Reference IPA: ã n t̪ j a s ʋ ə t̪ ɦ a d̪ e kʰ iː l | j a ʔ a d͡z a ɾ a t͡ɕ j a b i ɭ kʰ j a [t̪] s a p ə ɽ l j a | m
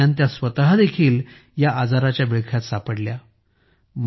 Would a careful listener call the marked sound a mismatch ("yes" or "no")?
no